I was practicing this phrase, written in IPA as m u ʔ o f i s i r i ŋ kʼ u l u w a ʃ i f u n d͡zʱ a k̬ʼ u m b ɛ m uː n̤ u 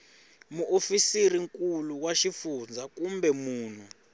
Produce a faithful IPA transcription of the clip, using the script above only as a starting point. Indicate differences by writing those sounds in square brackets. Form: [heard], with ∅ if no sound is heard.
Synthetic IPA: m u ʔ o f i s i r i ŋ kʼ u l u w a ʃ i f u n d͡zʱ a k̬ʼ u m b ɛ m uː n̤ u

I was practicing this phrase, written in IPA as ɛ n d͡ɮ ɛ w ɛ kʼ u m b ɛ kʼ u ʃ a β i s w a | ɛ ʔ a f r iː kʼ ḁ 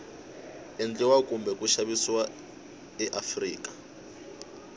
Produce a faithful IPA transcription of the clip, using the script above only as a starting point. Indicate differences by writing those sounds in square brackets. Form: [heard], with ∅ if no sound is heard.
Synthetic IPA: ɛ n d͡ɮ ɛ w [a] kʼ u m b ɛ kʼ u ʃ a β i s w a | ɛ ʔ a f r iː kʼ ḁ

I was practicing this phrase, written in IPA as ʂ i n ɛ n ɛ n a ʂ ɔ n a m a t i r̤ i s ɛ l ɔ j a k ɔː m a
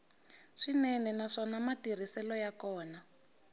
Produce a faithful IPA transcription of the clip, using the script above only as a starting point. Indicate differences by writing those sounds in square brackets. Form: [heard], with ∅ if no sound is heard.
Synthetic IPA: ʂ i n ɛ n ɛ n a ʂ ɔ n a m a t i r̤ i s ɛ l ɔ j a k ɔː [n] a

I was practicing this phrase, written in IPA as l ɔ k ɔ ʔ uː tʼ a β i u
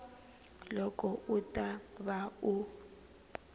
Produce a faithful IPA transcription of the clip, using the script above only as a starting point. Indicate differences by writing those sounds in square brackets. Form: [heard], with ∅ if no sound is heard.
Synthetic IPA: l ɔ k ɔ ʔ [u] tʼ a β [a] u

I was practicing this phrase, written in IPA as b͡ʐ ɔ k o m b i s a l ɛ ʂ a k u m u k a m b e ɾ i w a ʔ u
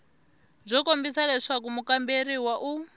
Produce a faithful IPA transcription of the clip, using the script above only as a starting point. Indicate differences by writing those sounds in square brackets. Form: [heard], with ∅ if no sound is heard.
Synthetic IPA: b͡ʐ ɔ k o m b i s a l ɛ ʂ a k u m u k a m b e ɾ i w a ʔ u

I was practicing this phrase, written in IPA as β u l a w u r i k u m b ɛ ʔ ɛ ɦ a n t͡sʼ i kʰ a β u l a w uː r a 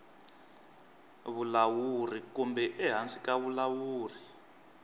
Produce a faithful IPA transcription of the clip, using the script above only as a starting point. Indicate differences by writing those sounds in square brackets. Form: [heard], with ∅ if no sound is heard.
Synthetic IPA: β u l a w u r i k u m b ɛ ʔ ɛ ɦ a n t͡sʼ i [k] a β u l a w uː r [i]

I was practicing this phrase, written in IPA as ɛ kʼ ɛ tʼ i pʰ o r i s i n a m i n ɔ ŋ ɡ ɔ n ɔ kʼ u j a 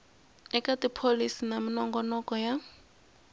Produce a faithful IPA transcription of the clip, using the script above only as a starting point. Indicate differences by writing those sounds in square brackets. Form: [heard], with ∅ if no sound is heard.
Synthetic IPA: ɛ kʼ [a] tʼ i pʰ o [l] i s i n a m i n ɔ ŋ ɡ ɔ n ɔ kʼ [ɔ] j a

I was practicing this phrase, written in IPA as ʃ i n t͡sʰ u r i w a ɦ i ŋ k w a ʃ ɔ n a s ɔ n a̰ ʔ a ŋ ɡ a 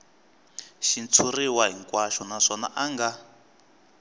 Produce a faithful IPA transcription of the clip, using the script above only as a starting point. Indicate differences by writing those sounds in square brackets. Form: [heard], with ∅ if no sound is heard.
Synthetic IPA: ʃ i n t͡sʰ u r i w a ɦ i ŋ k w a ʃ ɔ n a [ʂ] ɔ n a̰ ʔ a ŋ ɡ a

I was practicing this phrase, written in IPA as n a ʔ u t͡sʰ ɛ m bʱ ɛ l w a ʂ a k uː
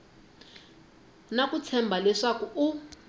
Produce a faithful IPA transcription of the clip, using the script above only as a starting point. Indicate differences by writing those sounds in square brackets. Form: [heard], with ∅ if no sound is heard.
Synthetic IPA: n a [k] u t͡sʰ ɛ m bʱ [a] l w [ɛ] ʂ a k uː

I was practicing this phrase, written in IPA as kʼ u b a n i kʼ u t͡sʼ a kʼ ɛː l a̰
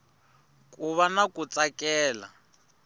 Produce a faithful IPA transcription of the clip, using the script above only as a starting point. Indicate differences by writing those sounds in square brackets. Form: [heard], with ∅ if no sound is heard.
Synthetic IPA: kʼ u [β] a n [a] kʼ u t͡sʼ a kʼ ɛː l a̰

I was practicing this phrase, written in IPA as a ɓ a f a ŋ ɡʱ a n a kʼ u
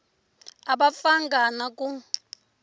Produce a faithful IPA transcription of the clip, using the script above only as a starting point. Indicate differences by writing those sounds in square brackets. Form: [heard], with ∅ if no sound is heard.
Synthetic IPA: a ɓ a f a ŋ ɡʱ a n a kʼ u

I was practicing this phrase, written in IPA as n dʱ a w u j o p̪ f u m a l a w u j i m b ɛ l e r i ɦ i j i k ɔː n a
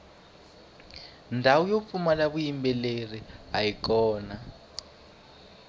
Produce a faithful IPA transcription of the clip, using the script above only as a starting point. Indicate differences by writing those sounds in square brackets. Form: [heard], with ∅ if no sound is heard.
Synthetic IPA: n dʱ a w u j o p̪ f u m a l a [β] u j i m b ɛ l e r i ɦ [a] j i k ɔː n a

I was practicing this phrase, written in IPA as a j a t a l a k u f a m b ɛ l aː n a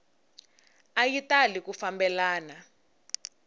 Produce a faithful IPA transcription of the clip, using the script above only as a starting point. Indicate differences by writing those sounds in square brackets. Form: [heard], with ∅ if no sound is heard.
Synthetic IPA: a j [i] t a l [i] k u f a m b ɛ l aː n a

